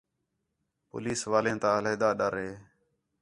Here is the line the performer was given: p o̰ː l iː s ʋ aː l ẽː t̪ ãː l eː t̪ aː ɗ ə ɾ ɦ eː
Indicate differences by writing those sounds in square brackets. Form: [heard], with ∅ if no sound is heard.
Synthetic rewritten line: p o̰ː l iː s ʋ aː l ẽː t̪ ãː l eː [d̪] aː ɗ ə ɾ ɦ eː